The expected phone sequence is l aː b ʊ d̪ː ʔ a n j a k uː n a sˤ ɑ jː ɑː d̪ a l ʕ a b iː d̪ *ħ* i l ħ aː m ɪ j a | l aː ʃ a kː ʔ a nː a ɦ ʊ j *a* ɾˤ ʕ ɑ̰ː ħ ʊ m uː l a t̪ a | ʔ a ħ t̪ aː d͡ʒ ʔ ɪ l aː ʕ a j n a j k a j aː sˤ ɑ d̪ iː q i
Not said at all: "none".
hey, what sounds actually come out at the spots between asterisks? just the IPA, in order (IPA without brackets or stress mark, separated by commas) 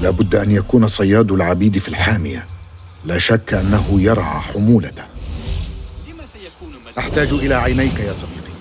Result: f, ɑ